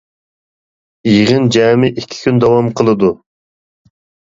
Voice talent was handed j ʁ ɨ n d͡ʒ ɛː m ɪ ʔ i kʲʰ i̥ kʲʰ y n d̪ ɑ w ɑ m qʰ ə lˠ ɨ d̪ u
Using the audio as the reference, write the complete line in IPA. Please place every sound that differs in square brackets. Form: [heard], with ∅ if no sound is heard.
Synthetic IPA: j ʁ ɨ n d͡ʒ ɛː m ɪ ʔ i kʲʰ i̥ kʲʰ y n d̪ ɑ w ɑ m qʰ ə lˠ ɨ d̪ u